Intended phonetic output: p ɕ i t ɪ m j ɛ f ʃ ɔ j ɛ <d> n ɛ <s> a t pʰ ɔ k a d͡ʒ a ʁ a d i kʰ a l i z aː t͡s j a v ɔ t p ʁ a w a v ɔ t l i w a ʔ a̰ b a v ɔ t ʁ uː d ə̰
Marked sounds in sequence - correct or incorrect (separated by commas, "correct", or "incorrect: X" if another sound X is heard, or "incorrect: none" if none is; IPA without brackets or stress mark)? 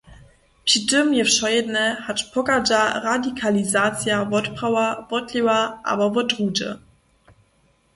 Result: correct, incorrect: h